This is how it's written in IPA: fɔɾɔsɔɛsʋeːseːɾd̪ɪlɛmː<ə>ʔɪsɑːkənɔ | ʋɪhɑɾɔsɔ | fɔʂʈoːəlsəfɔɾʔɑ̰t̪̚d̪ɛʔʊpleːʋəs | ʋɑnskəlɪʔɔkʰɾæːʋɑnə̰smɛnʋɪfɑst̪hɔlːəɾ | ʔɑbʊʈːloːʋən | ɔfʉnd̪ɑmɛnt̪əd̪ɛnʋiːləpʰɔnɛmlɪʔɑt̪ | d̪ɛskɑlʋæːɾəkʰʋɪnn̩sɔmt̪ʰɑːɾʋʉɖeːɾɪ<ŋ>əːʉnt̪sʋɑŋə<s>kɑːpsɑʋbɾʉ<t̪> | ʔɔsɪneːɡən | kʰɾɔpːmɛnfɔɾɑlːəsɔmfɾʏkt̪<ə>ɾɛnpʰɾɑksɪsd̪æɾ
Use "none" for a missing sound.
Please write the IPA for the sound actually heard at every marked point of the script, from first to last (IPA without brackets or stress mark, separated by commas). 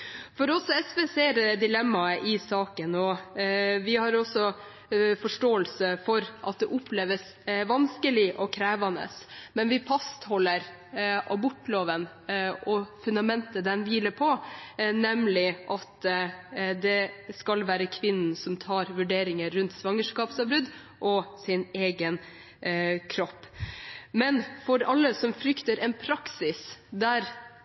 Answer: ɑ, ŋ, ʂ, d̪, ə